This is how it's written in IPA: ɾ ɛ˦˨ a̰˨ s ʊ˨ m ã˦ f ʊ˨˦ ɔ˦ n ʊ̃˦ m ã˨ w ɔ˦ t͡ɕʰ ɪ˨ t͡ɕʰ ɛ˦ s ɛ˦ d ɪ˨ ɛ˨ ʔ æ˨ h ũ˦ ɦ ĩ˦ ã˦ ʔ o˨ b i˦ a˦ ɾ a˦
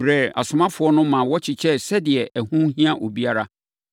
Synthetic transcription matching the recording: ɾ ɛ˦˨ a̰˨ s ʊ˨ m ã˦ f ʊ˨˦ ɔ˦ n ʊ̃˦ m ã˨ w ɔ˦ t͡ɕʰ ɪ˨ t͡ɕʰ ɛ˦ s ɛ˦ d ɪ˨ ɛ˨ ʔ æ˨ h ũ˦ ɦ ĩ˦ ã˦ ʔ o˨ b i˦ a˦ ɾ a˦